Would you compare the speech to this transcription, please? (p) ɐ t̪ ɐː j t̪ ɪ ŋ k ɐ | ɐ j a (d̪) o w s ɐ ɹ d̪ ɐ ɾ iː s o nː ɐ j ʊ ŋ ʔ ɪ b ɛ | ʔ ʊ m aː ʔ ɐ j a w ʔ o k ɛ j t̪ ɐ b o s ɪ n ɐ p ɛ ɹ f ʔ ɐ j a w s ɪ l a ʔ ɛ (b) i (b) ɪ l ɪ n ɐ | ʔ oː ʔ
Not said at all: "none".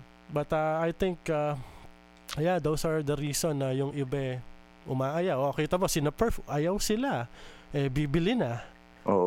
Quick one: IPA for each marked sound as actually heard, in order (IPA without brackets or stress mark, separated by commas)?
b, d̪, b, b